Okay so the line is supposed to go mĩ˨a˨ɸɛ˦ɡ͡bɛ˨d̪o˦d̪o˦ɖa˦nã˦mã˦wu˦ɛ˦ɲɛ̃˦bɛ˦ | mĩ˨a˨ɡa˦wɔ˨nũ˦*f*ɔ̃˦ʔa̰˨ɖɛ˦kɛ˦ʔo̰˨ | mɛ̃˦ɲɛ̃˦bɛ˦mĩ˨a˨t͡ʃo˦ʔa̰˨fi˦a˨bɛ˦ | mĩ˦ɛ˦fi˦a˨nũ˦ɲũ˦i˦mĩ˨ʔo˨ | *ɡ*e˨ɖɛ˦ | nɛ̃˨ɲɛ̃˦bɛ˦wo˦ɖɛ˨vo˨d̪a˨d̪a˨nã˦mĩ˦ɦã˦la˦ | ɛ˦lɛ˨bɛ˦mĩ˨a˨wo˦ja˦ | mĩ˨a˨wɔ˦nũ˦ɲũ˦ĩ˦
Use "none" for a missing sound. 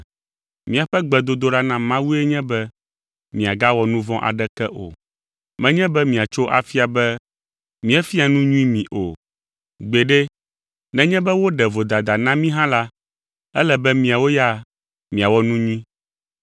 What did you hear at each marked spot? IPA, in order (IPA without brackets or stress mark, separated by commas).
v, ɡ͡b